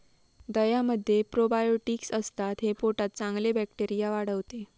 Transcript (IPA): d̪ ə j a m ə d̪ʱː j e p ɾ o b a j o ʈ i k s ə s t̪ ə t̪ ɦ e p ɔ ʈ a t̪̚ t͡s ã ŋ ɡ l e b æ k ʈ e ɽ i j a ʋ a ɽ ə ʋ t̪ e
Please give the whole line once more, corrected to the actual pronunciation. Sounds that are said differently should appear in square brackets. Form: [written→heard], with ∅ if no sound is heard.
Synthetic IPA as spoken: d̪ ə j a m ə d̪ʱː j e p ɾ o b a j o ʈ i k s ə s t̪ [ə→a] t̪ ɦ e p [ɔ→o] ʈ a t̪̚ t͡s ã ŋ ɡ l e b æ k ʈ e [ɽ→ɾ] i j a ʋ a ɽ ə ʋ t̪ e